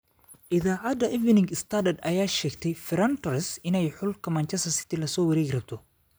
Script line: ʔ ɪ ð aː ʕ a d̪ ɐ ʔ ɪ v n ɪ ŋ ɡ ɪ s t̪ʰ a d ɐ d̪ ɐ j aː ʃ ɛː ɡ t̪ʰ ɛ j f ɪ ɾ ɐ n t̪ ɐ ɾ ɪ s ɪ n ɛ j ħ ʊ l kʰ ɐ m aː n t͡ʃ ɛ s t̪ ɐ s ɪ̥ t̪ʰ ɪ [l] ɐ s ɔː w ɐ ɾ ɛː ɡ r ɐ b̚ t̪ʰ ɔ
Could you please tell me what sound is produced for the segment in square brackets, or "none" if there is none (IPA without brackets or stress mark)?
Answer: l